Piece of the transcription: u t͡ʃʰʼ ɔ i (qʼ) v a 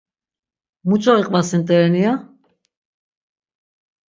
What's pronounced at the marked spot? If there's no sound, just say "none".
qʼ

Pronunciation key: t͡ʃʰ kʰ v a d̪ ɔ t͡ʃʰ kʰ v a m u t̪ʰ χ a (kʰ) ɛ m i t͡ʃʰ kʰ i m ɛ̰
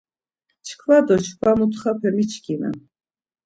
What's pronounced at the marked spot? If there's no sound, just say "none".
pʰ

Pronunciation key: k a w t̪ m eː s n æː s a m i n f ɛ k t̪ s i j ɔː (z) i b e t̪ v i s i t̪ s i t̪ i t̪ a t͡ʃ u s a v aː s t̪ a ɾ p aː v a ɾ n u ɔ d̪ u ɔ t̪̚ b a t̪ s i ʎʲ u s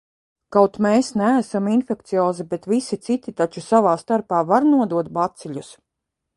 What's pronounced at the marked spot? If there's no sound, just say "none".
z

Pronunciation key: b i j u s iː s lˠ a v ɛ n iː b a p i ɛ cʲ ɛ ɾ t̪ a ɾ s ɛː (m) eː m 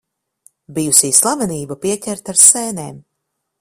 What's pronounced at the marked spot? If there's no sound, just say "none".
n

